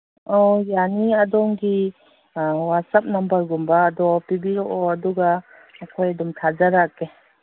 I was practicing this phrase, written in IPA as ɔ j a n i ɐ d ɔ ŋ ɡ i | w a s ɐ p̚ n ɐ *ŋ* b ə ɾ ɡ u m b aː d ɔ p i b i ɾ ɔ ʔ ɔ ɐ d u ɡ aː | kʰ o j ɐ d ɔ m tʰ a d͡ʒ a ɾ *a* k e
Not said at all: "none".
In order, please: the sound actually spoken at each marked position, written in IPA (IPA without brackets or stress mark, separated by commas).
m, a